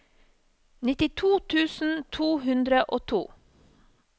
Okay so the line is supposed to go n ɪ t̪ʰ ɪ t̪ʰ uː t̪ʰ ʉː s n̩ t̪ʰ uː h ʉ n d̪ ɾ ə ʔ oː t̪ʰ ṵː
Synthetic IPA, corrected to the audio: n ɪ t̪ ɪ t̪ʰ uː t̪ʰ ʉː s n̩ t̪ʰ uː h ʉ n d̪ ɾ ə ʔ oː t̪ʰ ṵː